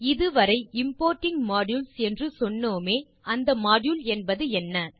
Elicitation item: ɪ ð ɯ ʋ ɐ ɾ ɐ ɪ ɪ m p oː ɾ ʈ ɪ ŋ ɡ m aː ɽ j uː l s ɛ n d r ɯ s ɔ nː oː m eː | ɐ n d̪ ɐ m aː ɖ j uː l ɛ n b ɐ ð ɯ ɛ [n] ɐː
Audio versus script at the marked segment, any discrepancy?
yes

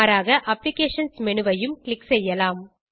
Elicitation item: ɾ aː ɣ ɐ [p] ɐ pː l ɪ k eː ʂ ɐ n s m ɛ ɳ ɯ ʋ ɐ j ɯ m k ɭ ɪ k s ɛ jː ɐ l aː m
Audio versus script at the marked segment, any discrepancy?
yes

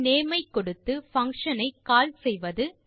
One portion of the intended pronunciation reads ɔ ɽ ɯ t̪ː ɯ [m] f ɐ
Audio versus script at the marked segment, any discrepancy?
yes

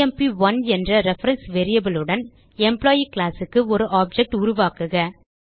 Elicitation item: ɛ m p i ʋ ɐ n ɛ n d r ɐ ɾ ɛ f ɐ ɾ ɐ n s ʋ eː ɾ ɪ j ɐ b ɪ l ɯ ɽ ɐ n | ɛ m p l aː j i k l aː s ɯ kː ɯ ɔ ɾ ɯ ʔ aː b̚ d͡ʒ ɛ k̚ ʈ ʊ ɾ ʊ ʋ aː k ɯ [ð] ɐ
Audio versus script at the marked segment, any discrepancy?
yes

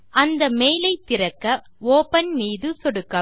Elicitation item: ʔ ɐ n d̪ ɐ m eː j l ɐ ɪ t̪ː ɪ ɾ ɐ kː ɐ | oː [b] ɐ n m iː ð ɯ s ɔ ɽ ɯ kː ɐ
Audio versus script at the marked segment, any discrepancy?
yes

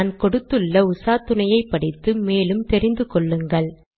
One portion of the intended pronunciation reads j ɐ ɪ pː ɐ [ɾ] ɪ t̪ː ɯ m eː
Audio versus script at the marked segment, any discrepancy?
yes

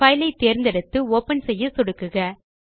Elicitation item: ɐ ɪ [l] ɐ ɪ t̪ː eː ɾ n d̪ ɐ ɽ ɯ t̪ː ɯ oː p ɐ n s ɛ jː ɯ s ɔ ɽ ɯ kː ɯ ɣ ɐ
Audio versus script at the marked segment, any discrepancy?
no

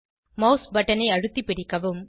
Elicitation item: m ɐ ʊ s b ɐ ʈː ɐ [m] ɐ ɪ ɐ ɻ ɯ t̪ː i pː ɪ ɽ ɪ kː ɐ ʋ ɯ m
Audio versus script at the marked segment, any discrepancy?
yes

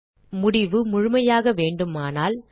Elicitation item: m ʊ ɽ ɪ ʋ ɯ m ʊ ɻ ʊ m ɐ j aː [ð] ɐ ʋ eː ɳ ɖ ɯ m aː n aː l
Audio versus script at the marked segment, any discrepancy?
yes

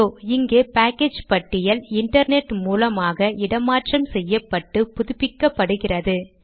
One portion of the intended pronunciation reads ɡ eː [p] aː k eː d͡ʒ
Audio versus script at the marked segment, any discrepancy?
no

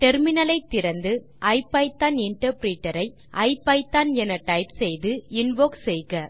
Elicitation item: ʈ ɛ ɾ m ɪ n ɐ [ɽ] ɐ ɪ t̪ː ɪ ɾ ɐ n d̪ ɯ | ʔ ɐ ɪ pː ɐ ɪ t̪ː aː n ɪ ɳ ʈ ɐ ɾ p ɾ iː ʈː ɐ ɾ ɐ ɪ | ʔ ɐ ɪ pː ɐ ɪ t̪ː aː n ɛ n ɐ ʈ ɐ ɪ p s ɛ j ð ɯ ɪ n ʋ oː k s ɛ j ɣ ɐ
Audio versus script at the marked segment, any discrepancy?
yes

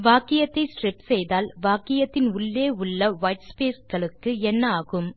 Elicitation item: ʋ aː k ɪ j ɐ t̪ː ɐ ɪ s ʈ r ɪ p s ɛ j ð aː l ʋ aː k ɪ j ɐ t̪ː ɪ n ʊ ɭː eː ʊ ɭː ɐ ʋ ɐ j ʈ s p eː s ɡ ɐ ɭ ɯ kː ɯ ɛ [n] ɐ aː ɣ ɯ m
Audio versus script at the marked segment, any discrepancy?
yes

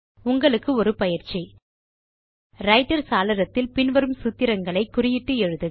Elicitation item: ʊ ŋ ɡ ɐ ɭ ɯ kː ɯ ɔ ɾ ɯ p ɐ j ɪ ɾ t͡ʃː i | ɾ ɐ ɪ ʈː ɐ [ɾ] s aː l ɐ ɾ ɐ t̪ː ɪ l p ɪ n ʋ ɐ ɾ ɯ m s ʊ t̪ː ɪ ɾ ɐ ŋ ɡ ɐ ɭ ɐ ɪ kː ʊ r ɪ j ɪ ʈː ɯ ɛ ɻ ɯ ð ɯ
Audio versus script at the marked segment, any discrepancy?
no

